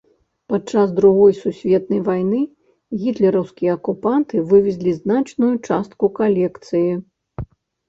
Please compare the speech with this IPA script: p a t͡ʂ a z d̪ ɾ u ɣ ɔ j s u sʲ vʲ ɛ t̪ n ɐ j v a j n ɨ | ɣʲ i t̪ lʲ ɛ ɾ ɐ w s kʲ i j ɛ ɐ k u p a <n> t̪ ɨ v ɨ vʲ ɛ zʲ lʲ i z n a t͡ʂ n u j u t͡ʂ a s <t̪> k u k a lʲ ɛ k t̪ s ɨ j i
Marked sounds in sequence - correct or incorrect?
correct, correct

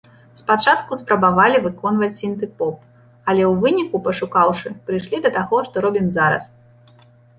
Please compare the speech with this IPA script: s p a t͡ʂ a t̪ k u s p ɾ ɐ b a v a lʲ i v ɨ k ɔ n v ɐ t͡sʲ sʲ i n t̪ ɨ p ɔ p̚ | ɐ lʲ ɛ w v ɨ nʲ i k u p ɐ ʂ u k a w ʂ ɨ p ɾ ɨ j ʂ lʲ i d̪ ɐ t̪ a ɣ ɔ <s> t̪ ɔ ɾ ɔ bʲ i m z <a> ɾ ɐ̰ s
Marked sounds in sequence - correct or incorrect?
incorrect: ʂ, correct

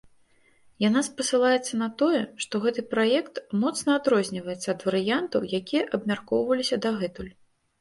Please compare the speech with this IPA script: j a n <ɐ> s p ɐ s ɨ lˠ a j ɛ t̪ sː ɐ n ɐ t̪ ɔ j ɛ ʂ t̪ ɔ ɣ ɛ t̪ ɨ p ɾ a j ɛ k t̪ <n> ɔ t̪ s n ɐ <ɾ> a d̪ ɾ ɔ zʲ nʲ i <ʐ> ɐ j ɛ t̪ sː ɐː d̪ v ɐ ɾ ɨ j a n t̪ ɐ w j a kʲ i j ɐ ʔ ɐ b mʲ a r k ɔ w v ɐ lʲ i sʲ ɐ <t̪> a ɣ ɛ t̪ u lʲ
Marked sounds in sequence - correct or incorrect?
incorrect: a, incorrect: m, incorrect: none, incorrect: v, incorrect: d̪

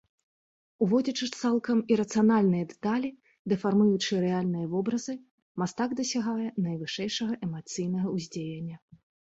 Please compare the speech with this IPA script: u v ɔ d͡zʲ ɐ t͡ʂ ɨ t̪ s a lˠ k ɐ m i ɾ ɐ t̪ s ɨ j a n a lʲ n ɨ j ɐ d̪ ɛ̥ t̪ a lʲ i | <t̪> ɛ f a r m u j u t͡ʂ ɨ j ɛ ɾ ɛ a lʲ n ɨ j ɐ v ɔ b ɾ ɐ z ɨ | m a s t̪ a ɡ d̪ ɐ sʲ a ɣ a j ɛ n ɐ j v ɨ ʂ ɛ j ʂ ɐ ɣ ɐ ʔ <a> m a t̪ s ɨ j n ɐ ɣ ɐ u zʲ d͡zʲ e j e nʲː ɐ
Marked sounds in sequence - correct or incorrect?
incorrect: d̪, incorrect: ɛ

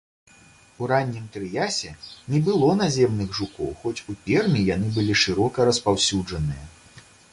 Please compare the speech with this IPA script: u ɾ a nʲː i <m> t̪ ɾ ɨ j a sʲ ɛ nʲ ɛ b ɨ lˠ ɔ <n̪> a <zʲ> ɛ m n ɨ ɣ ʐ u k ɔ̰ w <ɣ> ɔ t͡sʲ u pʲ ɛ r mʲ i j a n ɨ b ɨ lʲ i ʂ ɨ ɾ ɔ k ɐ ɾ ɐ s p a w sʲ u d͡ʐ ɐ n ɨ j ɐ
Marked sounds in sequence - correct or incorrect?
correct, correct, correct, incorrect: x

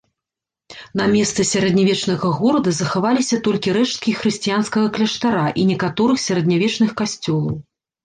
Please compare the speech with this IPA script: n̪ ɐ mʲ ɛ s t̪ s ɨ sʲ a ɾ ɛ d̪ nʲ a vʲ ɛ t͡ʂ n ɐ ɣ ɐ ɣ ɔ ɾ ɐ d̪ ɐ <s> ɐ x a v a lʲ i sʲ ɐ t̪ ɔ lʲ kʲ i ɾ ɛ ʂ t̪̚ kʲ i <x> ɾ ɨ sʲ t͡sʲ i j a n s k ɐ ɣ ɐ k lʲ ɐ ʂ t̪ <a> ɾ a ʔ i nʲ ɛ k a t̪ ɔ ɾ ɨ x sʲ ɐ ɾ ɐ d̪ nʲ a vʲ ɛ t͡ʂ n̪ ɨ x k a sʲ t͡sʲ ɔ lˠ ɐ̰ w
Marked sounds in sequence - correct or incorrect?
incorrect: z, correct, correct

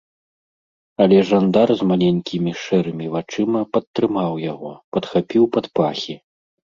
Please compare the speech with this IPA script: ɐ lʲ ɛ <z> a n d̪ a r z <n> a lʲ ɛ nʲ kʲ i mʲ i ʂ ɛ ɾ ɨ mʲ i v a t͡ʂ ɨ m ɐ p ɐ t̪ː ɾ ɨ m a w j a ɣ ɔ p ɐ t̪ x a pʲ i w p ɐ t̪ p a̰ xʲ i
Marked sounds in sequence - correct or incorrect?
incorrect: ʐ, incorrect: m

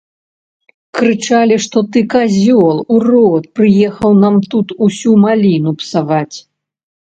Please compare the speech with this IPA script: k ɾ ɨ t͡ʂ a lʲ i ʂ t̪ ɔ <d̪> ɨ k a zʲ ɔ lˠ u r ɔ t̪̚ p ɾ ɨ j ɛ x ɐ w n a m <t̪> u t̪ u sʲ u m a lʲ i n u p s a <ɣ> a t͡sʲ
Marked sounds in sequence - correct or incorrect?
incorrect: t̪, correct, incorrect: v

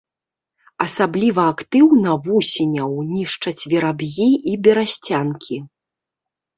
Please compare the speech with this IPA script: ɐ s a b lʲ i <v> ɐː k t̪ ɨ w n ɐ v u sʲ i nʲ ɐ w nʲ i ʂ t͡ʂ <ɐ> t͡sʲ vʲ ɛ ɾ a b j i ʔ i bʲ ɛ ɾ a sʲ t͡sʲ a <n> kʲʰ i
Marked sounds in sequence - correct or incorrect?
correct, correct, correct

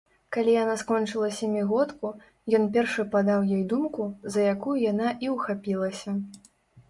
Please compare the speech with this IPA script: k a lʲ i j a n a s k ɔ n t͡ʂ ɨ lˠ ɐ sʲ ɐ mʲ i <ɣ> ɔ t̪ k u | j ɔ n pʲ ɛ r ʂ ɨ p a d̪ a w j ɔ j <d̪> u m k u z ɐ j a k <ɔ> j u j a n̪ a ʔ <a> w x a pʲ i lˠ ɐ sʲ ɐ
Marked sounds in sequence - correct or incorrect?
correct, correct, incorrect: u, incorrect: i

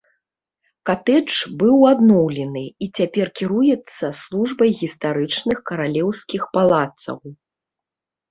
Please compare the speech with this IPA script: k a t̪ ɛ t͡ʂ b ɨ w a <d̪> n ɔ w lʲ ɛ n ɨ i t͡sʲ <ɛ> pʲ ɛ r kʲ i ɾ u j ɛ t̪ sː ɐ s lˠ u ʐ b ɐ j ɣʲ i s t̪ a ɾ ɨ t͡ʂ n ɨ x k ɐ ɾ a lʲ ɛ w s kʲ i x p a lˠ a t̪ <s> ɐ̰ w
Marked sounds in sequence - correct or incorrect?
correct, incorrect: a, correct

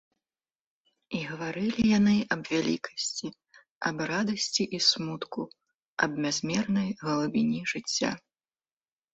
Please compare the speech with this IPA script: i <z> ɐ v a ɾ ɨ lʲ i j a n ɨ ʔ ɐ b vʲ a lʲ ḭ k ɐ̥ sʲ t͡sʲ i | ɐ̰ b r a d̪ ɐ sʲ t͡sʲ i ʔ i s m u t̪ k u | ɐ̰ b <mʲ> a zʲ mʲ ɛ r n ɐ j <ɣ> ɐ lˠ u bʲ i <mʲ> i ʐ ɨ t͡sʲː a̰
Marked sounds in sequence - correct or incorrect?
incorrect: ɣ, correct, correct, incorrect: nʲ

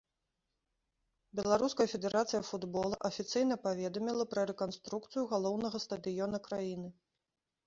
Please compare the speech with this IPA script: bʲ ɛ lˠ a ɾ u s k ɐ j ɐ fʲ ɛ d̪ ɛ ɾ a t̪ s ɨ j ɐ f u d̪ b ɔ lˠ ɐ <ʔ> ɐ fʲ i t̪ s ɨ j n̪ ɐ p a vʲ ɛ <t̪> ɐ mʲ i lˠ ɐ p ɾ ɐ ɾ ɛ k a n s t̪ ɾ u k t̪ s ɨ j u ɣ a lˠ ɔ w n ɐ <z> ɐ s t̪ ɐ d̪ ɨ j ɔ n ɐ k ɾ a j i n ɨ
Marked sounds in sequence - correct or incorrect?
correct, incorrect: d̪, incorrect: ɣ

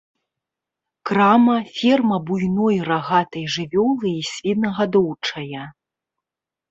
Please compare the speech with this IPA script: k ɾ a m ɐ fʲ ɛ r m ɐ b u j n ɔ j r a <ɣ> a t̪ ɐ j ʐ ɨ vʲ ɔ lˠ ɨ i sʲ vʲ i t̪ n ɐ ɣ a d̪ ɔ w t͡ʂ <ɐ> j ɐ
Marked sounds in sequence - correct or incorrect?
correct, correct

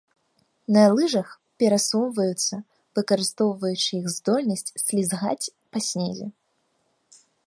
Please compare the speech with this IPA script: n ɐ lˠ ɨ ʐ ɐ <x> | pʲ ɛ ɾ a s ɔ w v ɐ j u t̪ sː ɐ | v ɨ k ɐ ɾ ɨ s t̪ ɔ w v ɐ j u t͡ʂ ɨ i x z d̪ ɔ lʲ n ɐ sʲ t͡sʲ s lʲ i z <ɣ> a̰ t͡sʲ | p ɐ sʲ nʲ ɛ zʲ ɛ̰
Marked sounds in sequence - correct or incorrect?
correct, correct

